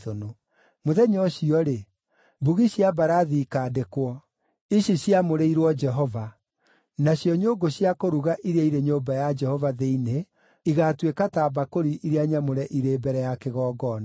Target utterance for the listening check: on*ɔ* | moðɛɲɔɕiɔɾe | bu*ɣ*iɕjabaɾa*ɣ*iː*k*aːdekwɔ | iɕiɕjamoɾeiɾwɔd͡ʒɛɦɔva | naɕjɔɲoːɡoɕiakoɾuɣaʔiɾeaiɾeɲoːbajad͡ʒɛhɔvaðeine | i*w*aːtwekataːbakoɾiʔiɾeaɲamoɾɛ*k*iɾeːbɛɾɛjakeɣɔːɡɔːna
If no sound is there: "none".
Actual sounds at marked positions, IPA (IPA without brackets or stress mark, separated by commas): o, ɣ, ð, k, ɣ, ʔ